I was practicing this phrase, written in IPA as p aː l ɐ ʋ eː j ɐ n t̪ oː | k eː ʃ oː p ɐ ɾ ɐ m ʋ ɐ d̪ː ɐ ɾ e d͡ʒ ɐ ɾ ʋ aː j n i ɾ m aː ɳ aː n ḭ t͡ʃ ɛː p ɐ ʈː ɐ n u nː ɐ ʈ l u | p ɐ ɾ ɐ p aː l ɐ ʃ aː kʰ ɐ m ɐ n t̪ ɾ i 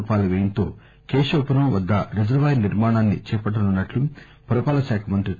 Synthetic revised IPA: p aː l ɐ ʋ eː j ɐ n t̪ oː | k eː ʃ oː p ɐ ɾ ɐ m ʋ ɐ d̪ː ɐ ɾ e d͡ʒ ɐ ɾ ʋ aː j n i ɾ m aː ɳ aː nː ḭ t͡ʃ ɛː p ɐ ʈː ɐ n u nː ɐ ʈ l u | p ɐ ɾ ɐ p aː l ɐ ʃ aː kʰ ɐ m ɐ n t̪ ɾ i

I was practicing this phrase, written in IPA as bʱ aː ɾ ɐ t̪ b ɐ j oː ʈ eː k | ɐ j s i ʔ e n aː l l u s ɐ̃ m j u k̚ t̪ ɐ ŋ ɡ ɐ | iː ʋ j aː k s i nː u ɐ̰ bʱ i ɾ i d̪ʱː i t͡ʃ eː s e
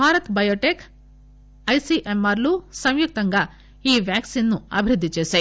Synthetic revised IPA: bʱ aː ɾ ɐ t̪ b ɐ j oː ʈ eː k | ɐ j s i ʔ e m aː ɾ l u s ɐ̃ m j u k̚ t̪ ɐ ŋ ɡ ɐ | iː ʋ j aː k s i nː u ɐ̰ bʱ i ɾ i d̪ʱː i t͡ʃ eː s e

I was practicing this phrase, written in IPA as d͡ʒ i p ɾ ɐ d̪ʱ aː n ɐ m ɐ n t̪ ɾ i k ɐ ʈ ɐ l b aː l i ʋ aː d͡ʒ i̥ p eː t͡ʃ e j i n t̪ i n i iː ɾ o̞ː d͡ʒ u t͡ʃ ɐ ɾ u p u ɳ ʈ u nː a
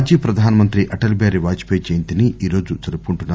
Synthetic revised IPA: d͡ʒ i p ɾ ɐ d̪ʱ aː n ɐ m ɐ n t̪ ɾ i ʔ ɐ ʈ ɐ l b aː ɾ i ʋ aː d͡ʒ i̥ p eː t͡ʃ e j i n t̪ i n i iː ɾ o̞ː d͡ʒ u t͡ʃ ɐ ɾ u p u ɳ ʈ u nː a

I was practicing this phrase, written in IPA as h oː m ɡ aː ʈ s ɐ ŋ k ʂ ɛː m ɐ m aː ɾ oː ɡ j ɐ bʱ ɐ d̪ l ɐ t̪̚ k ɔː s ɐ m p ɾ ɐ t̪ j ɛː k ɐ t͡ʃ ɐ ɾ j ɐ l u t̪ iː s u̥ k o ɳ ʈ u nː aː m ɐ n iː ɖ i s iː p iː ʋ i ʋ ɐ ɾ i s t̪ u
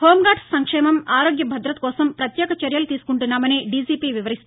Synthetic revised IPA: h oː m ɡ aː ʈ s ɐ ŋ k ʂ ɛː m ɐ m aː ɾ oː ɡ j ɐ bʱ ɐ d̪ ɾ ɐ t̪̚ k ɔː s ɐ m p ɾ ɐ t̪ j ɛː k ɐ t͡ʃ ɐ ɾ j ɐ l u t̪ iː s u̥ k u ɳ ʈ u nː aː m ɐ n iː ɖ i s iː p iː ʋ i ʋ ɐ ɾ i s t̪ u

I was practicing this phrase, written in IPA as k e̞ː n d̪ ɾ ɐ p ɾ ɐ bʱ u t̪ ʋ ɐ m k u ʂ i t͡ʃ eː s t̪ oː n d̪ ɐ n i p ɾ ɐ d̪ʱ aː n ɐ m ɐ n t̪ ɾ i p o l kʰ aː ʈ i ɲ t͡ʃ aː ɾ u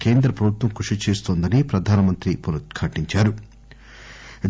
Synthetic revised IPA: k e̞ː n d̪ ɾ ɐ p ɾ ɐ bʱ u t̪ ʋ ɐ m k u ʂ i t͡ʃ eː s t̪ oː n d̪ ɐ n i p ɾ ɐ d̪ʱ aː n ɐ m ɐ n t̪ ɾ i p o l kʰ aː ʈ i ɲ t͡ʃ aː ɾ u

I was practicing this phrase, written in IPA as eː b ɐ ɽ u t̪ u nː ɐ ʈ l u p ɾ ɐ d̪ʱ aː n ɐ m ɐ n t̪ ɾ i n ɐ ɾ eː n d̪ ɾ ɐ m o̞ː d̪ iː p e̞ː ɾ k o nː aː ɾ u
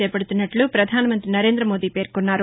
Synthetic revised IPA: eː p ɐ ɽ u t̪ u nː ɐ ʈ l u p ɾ ɐ d̪ʱ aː n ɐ m ɐ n t̪ ɾ i n ɐ ɾ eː n d̪ ɾ ɐ m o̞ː d̪ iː p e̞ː ɾ k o nː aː ɾ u

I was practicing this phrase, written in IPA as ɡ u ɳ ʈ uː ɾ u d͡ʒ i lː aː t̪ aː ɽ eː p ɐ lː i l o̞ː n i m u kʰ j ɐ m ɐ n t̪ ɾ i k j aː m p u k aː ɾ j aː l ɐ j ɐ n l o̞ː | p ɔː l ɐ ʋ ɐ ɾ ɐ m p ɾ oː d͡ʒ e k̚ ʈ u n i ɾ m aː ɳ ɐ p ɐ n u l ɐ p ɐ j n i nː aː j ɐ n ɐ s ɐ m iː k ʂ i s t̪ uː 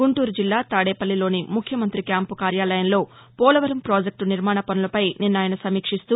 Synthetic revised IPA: ɡ u ɳ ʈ uː ɾ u d͡ʒ i lː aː t̪ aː ɽ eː p ɐ lː i l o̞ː n i m u kʰ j ɐ m ɐ n t̪ ɾ i k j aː m p u k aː ɾ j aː l ɐ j ɐ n l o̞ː | p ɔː l ɐ ʋ ɐ ɾ ɐ m p ɾ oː d͡ʒ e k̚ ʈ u n i ɾ m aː ɳ ɐ p ɐ n u l ɐ p ɐ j n i nː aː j ɐ n ɐ s ɐ m iː k ʂ i s t̪ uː

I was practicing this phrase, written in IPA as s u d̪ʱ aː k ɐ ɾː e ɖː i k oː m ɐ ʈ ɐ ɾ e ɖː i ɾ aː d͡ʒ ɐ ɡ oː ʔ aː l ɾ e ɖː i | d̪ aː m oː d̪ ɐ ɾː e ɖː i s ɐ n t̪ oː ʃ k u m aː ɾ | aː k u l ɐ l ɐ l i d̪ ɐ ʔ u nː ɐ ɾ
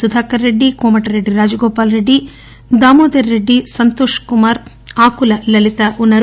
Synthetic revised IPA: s u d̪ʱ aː k ɐ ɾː e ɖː i k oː m ɐ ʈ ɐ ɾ e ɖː i ɾ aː d͡ʒ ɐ ɡ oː p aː l ɾ e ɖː i | d̪ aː m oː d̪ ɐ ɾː e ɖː i s ɐ n t̪ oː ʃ k u m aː ɾ | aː k u l ɐ l ɐ l i t̪ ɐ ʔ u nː ɐ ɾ

